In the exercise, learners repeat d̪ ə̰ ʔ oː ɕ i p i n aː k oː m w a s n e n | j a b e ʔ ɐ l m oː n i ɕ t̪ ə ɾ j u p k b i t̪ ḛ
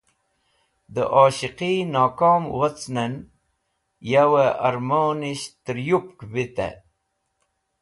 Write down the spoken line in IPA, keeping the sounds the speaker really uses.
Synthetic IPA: d̪ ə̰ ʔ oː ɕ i q i n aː k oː m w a t͡s n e n | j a w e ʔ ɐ ɾ m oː n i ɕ t̪ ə ɾ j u p k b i t̪ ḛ